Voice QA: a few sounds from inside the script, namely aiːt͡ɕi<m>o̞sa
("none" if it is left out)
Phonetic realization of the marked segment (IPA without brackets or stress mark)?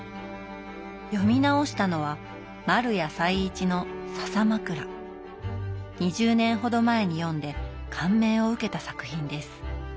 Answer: n